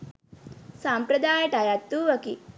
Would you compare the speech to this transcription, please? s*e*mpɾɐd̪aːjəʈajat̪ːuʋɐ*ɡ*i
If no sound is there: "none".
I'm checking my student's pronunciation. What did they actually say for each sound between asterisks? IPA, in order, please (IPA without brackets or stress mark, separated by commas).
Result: a, k